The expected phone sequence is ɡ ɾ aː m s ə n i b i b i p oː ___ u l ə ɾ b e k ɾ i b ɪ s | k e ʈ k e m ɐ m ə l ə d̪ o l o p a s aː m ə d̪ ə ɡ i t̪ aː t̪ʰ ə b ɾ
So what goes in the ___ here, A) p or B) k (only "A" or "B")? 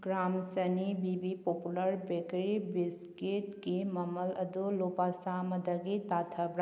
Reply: A